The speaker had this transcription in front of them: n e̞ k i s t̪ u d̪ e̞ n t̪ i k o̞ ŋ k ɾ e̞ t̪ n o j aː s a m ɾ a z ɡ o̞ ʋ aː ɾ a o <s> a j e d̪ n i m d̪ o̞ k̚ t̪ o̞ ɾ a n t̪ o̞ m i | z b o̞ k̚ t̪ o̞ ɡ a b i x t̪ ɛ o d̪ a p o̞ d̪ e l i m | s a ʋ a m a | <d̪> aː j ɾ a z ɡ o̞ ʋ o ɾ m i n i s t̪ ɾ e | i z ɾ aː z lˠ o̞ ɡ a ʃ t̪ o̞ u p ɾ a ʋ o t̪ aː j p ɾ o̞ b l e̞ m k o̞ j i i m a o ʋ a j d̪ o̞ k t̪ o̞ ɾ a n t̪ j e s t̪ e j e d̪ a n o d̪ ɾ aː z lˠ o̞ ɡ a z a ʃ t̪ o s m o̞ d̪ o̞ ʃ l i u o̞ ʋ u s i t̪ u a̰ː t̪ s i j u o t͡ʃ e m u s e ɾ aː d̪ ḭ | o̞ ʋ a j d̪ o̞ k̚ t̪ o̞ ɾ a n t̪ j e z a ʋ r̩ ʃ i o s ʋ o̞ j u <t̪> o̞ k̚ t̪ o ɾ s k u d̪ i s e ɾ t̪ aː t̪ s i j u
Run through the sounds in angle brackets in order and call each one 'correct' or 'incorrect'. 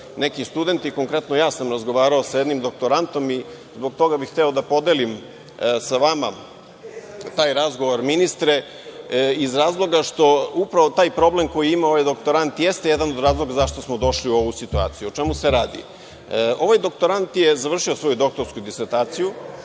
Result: correct, incorrect: t̪, incorrect: d̪

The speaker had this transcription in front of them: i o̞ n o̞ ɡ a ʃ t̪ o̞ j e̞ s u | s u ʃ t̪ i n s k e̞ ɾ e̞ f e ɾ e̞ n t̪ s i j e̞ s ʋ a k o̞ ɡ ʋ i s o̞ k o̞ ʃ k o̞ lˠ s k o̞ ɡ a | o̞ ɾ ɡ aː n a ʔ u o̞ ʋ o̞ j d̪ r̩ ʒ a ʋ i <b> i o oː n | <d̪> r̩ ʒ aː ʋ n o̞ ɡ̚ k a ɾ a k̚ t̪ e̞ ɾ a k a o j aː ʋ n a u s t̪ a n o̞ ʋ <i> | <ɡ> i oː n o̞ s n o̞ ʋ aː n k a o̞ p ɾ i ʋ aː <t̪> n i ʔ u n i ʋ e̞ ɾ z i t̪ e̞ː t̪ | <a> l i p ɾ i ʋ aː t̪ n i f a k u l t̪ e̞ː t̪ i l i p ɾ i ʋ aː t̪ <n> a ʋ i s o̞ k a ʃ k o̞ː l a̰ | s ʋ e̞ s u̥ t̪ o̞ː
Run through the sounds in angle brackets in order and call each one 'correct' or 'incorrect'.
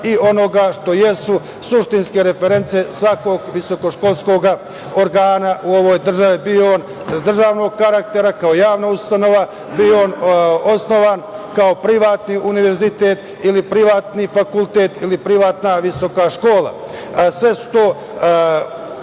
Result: correct, correct, incorrect: a, incorrect: b, correct, incorrect: i, correct

